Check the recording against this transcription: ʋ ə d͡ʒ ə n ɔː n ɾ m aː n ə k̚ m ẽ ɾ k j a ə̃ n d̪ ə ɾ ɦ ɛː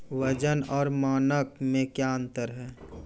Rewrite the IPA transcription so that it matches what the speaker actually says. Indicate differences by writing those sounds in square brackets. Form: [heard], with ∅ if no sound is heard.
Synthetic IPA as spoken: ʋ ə d͡ʒ ə n ɔː [∅] ɾ m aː n ə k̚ m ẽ [∅] k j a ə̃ n [t̪] ə ɾ ɦ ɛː